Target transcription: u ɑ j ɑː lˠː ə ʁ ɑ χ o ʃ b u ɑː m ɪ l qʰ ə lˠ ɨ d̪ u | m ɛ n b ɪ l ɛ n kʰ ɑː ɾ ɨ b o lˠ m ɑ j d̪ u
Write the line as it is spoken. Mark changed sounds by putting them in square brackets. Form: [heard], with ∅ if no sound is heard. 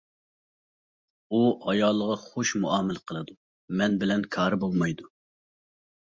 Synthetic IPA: u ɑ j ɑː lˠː ə ʁ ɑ χ o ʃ [m] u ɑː m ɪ l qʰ ə lˠ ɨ d̪ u | m ɛ n b ɪ l ɛ n kʰ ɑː ɾ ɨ b o lˠ m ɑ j d̪ u